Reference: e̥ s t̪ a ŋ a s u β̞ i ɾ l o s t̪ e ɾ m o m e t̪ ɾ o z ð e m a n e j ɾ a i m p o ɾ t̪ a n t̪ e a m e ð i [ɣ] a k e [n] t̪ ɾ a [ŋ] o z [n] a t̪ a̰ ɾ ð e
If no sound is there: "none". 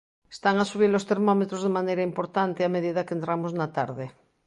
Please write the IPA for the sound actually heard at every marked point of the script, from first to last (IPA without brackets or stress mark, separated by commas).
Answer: ð, n, m, n